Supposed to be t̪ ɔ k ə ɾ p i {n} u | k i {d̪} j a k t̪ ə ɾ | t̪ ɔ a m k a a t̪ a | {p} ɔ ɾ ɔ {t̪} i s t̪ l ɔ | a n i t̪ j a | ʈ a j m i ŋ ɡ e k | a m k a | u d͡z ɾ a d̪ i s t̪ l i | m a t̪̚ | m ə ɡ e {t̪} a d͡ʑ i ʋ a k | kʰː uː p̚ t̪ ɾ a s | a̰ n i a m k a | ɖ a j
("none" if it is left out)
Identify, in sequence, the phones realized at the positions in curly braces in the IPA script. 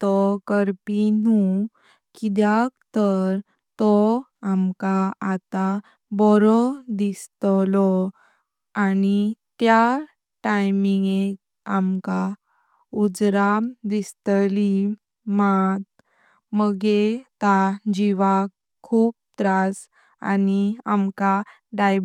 n, d̪, b, d̪, t̪

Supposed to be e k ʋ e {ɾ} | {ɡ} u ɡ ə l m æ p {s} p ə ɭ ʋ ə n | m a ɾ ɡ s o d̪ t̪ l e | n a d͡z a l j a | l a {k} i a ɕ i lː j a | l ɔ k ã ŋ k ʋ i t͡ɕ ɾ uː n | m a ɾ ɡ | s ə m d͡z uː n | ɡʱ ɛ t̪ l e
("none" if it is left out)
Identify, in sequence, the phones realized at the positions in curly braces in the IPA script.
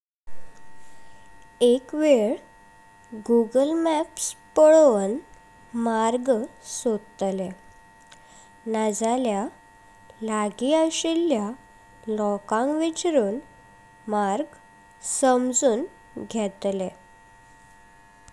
ɭ, ɡ, s, ɡ

